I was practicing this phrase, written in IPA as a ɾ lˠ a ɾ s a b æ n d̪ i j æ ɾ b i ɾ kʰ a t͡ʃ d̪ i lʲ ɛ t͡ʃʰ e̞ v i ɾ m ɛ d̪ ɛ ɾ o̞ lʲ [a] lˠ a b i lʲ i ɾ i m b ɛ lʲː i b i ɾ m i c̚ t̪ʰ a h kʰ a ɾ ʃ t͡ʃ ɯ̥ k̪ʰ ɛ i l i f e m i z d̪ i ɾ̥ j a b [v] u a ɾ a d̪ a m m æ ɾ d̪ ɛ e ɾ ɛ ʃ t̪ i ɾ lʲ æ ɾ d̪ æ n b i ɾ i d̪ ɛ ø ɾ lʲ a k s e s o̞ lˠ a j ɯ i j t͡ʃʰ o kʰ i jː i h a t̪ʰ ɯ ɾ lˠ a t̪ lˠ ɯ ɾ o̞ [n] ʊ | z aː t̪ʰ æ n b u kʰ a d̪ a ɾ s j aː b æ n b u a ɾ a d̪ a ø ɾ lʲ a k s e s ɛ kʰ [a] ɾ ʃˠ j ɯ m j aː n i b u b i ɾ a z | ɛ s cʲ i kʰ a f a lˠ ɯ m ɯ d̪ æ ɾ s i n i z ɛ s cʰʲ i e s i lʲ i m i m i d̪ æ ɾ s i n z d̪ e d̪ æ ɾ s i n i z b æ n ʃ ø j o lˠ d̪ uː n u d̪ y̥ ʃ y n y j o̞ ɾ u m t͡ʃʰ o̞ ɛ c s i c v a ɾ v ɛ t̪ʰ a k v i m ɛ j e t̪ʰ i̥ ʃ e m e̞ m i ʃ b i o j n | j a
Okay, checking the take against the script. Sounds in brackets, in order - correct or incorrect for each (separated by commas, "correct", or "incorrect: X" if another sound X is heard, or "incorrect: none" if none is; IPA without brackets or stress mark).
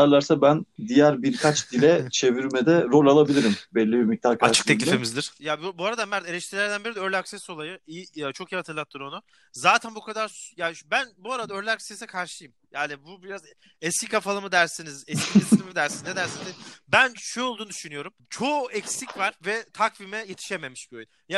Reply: correct, incorrect: b, correct, correct